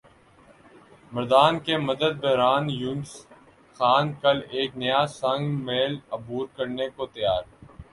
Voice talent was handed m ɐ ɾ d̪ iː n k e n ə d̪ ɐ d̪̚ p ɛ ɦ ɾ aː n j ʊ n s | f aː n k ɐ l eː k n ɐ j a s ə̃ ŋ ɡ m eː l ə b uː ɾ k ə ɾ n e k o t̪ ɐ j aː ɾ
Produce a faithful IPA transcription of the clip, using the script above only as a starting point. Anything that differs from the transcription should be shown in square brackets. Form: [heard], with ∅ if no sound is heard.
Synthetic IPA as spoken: m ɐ ɾ d̪ [aː] n k e [m] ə d̪ [ə] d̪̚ [b] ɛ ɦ ɾ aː n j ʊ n s | [x] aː n k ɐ l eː k n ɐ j a s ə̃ ŋ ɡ m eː l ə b uː ɾ k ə ɾ n e k o t̪ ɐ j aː ɾ